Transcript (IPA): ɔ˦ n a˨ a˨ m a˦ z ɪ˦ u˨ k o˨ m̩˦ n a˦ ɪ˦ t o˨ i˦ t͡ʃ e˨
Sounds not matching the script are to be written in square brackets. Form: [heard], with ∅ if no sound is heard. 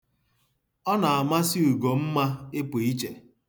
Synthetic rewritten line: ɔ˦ n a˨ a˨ m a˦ [s] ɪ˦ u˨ [ɡ] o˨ m̩˦ [m] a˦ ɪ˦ [p] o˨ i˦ t͡ʃ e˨